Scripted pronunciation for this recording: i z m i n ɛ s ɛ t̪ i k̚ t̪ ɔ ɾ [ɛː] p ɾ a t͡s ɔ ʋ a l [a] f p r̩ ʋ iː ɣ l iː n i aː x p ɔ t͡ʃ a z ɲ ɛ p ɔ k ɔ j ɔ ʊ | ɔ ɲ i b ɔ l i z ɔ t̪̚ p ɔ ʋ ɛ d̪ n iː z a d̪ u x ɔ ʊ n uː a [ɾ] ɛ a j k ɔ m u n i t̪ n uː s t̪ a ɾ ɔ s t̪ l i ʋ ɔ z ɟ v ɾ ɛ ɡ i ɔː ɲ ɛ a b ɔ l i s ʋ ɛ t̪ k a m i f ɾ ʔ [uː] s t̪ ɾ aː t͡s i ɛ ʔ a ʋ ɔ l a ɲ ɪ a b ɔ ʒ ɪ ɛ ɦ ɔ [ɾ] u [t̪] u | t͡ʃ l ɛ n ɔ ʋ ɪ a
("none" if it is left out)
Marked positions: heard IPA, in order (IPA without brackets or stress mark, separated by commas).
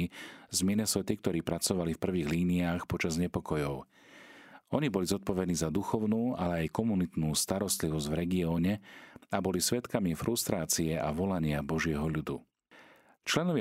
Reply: iː, i, l, u, ʎ, d̪